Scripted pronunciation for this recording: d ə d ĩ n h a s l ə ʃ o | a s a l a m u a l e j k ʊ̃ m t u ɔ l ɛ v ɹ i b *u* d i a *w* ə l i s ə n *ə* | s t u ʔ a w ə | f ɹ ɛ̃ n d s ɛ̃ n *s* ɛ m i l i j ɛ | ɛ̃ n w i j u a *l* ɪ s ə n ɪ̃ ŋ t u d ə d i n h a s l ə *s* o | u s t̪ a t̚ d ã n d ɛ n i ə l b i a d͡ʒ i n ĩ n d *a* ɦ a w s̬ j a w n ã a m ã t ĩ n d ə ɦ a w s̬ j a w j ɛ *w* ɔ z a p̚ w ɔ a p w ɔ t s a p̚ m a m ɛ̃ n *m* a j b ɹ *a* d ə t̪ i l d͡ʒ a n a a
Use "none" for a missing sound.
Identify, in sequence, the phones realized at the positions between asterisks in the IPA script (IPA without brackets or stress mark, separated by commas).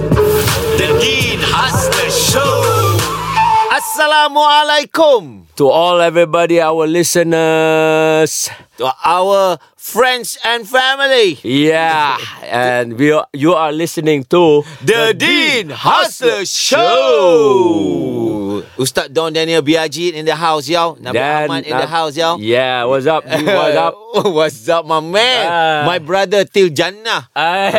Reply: ɔ, w, ə, f, l, ʃ, ə, w, m, a